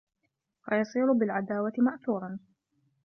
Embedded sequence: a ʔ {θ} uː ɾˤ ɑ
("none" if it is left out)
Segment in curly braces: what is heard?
θ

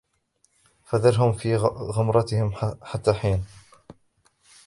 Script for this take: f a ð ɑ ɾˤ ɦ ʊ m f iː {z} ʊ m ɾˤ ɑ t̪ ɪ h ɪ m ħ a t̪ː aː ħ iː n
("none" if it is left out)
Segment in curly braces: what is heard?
ɣ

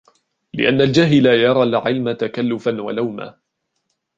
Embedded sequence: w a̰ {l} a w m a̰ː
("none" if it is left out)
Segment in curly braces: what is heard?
l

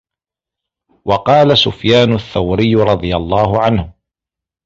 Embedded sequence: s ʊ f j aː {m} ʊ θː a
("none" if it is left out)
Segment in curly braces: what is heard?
n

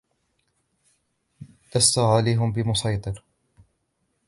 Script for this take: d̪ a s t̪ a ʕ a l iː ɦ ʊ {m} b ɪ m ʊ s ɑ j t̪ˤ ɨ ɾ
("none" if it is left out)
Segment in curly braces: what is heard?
m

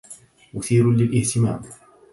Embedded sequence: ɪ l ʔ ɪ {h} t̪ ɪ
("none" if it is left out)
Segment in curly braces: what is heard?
h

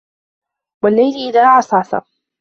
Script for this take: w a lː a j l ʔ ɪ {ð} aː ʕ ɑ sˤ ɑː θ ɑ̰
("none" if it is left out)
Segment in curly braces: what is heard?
ð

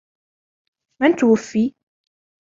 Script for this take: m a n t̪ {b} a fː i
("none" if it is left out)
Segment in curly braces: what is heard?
w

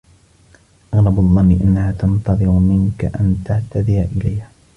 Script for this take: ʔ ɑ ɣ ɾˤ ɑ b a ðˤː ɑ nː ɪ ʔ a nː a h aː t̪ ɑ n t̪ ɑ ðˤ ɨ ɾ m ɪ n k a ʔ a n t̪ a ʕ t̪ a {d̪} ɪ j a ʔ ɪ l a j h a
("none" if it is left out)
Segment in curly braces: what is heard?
d̪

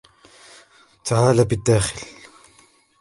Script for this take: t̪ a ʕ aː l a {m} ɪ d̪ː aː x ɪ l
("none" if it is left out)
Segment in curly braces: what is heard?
b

